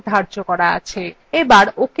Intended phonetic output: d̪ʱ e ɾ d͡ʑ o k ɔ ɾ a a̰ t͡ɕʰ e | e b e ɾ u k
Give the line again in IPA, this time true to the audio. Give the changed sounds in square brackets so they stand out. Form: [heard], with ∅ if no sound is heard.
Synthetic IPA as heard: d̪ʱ [a] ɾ d͡ʑ o k ɔ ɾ a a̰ t͡ɕʰ e | e b [a] ɾ [o] k